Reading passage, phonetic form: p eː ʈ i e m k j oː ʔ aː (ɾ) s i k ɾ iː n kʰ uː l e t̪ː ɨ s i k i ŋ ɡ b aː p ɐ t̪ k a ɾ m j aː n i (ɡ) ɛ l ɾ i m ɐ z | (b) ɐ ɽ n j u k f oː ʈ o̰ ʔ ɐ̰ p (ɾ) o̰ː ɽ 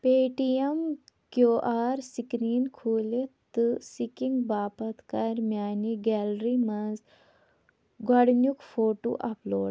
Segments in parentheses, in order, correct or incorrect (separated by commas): correct, correct, incorrect, incorrect